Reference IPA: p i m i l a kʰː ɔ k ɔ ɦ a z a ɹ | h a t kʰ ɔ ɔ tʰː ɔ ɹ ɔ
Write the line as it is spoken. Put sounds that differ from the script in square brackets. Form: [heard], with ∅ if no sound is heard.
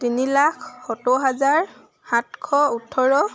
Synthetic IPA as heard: [t] i [n] i l a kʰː ɔ [t] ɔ ɦ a z a ɹ | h a t kʰ ɔ [u] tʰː ɔ ɹ ɔ